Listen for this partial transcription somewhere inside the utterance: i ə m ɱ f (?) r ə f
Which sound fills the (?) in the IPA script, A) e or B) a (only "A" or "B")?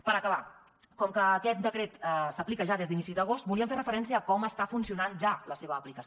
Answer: A